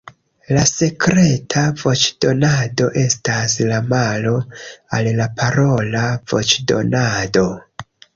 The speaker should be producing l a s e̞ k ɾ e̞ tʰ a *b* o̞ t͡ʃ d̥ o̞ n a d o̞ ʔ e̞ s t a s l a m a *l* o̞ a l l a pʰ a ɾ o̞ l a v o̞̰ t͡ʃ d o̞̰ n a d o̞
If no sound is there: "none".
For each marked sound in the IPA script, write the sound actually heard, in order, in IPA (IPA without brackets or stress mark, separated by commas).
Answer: v, l